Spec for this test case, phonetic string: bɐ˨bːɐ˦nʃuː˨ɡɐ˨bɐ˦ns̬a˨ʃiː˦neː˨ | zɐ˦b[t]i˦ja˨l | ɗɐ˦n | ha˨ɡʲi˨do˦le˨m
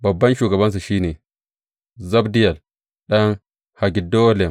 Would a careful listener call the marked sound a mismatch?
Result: yes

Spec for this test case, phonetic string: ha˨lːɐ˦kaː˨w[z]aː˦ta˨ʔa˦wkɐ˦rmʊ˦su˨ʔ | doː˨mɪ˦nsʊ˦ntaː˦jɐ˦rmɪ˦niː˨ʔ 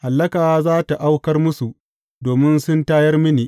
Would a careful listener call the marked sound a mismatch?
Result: no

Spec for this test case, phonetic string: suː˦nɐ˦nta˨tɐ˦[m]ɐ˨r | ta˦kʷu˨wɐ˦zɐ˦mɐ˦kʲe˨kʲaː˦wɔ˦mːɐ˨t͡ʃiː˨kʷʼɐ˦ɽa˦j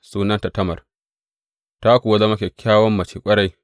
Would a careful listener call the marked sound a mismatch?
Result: no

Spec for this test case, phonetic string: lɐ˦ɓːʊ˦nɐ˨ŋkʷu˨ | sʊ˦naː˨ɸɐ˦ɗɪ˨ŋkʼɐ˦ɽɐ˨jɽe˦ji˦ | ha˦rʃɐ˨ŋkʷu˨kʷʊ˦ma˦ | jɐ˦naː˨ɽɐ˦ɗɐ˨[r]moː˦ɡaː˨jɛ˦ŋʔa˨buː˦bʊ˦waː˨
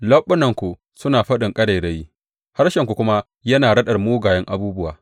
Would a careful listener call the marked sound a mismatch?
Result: no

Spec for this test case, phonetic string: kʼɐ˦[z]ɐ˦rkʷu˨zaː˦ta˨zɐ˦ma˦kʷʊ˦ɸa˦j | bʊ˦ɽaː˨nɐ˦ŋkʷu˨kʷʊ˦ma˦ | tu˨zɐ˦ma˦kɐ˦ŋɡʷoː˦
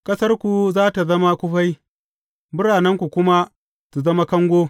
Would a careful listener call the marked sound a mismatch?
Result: yes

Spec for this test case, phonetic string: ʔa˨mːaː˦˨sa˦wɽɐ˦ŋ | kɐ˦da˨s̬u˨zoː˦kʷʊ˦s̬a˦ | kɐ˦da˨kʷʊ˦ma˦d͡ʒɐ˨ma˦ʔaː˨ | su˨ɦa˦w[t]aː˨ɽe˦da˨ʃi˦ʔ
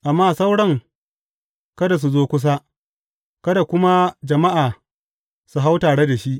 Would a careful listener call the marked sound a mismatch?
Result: no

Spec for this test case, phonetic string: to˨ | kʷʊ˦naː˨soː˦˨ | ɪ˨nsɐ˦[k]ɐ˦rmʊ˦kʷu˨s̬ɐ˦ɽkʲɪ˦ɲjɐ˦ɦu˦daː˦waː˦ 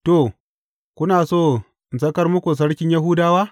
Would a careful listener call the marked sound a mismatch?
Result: no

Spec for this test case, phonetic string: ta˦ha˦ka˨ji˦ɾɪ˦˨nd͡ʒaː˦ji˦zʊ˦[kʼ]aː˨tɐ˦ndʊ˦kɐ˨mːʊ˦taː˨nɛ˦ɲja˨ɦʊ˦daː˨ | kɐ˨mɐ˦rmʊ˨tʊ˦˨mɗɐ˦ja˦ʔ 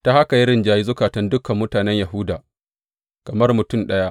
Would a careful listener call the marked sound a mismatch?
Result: yes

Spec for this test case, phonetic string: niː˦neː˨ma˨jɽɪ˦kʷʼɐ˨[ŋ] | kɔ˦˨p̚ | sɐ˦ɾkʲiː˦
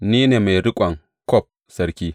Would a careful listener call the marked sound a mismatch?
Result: no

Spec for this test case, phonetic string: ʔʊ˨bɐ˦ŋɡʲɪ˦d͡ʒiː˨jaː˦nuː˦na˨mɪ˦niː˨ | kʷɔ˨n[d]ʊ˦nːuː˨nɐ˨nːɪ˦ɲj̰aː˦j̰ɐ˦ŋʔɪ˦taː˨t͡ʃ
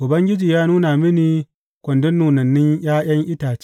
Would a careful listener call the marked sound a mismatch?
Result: no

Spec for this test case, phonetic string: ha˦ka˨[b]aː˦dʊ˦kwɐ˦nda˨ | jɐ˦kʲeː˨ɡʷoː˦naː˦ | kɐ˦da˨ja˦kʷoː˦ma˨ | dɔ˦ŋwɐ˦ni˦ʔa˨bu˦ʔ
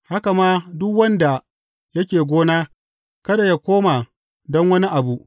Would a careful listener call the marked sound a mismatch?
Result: yes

